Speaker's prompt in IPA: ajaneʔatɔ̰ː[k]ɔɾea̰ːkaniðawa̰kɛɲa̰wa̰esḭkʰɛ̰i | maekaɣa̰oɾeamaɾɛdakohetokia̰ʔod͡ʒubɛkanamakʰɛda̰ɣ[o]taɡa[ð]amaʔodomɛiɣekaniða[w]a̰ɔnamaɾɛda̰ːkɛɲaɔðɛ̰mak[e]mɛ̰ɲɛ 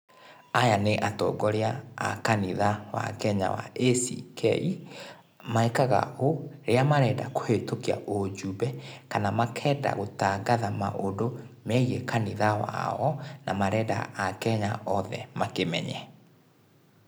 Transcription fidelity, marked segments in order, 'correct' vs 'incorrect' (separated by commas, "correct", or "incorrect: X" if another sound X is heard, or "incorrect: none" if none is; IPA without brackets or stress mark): incorrect: ɡ, correct, correct, correct, correct